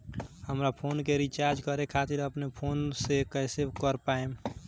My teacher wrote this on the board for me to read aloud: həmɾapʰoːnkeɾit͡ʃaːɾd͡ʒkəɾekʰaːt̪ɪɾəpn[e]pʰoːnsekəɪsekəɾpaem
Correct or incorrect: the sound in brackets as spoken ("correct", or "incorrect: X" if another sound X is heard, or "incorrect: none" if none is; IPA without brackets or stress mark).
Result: correct